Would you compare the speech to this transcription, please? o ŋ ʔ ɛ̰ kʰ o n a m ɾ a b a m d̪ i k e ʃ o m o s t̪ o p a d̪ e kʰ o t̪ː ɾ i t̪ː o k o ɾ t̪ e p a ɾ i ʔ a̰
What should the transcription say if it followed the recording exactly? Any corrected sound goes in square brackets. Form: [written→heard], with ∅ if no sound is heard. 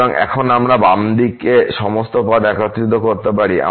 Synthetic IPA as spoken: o ŋ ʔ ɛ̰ kʰ o n a m ɾ a b a m d̪ i k e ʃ [o→ɔ] m o s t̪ o p a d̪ [e→ɛ] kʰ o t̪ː ɾ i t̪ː o k o ɾ t̪ e p a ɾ i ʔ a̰

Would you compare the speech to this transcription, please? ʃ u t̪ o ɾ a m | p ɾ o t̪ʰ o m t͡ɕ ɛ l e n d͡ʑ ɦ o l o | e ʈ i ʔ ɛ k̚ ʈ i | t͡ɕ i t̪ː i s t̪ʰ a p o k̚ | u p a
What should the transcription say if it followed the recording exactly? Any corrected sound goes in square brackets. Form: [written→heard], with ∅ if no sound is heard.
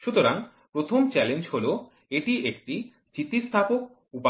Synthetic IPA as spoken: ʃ u t̪ o ɾ a [m→ŋ] | p ɾ o t̪ʰ o m t͡ɕ ɛ l e n d͡ʑ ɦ o l o | e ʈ i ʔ [ɛ→e] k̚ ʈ i | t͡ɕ i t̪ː i s t̪ʰ a p o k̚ | u p a

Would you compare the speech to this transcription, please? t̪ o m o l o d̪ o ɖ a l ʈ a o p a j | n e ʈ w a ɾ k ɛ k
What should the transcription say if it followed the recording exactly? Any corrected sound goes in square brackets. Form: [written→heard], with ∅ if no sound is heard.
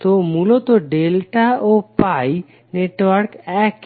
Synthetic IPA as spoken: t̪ o m [o→u] l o [d̪→t̪] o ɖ [a→e] l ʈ a o p a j | n e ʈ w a ɾ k ɛ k

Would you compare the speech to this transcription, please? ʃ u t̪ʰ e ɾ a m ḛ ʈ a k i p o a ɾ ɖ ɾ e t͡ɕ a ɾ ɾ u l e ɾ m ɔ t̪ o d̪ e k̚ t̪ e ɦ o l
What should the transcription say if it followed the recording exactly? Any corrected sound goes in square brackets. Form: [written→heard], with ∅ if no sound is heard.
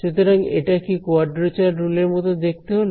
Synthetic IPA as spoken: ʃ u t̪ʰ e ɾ a [m→ŋ] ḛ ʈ a k i [p→k] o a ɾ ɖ ɾ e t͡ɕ a ɾ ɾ u l e ɾ m ɔ t̪ o d̪ e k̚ t̪ e ɦ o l

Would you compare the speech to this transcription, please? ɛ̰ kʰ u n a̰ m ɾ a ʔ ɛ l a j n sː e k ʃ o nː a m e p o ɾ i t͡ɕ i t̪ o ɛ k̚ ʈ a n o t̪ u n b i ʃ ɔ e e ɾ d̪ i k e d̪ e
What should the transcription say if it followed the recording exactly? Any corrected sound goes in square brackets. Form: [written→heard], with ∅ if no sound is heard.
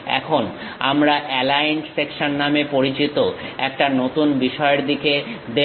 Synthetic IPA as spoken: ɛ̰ kʰ [u→o] n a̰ m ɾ a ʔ ɛ l a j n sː e k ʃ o nː a m e p o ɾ i t͡ɕ i t̪ o ɛ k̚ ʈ a n o t̪ u n b i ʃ ɔ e e ɾ d̪ i k e d̪ e

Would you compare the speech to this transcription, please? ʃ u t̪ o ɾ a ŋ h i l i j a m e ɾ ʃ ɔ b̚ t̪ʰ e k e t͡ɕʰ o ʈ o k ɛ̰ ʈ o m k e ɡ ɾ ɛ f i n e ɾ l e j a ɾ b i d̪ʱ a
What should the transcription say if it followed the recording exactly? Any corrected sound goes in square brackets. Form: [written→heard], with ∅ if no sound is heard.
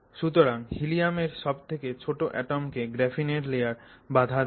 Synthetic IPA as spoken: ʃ u t̪ o ɾ a ŋ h i l i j a m e ɾ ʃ ɔ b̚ t̪ʰ e k e t͡ɕʰ o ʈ o [k→ʔ] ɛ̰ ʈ o m k e ɡ ɾ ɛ f i n e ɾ l e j a ɾ b [i→a] d̪ʱ a

